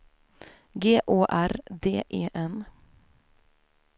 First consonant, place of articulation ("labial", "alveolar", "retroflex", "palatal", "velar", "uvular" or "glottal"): velar